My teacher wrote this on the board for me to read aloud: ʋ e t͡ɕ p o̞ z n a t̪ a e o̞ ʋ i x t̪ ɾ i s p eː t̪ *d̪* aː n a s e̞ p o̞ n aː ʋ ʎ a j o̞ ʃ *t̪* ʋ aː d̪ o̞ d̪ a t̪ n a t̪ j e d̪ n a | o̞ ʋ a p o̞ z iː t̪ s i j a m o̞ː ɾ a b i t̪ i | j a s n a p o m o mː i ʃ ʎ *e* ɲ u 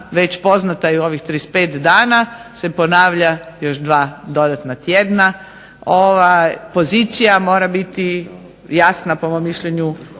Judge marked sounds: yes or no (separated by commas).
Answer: yes, no, yes